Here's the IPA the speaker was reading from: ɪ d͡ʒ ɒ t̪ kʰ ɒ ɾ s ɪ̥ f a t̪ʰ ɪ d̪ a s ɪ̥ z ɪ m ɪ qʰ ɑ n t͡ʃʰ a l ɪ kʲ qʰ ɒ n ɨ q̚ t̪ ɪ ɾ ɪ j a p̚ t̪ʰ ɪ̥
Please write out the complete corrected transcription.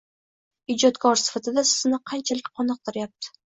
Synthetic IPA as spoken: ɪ d͡ʒ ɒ t̪ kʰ ɒ ɾ s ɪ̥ f a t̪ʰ ɪ d̪ a s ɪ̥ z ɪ n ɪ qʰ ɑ n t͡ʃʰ a l ɪ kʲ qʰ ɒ n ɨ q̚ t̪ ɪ ɾ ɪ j a p̚ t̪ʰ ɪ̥